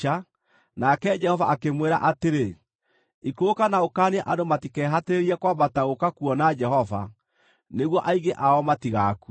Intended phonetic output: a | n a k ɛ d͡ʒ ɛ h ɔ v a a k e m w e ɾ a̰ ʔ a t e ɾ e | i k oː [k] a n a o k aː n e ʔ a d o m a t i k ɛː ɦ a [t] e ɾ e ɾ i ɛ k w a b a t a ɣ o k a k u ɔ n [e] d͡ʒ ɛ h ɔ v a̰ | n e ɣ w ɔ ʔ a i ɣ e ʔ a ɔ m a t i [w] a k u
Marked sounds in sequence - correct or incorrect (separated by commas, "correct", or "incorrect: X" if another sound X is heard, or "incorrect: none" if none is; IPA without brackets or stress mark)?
correct, correct, incorrect: a, incorrect: ɣ